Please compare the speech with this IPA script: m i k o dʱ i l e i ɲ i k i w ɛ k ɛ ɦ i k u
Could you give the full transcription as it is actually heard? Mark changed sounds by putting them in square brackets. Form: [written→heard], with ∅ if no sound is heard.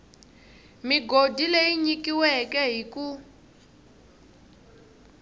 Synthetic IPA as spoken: m i [k→ɡ] o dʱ i l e i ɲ i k i w ɛ k ɛ ɦ i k u